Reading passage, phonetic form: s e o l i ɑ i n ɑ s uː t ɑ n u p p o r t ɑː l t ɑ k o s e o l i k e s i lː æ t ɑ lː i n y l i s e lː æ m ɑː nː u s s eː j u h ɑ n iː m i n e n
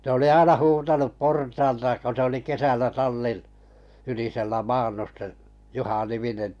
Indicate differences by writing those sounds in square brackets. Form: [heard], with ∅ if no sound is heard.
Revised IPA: s e o l i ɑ i n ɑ [h] uː t ɑ n u p p o r t ɑː l t ɑ k o s e o l i k e s [æ] lː æ t ɑ lː i n y l i s e lː æ m ɑː nː u s s [e] j u h ɑ n [i] m i n e n